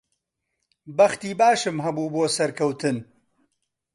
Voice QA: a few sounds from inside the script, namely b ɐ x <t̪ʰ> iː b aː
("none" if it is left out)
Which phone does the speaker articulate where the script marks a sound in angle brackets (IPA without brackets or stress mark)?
t̪